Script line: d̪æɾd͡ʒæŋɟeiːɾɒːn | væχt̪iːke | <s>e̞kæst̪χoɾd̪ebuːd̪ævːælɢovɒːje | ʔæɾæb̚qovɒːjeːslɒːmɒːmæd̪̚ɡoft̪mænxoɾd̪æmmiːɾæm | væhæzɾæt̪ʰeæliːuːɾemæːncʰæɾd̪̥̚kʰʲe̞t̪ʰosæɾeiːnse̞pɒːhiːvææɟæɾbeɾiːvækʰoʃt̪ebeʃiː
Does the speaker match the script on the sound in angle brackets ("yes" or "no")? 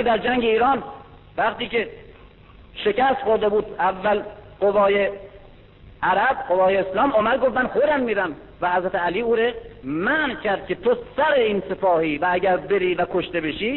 no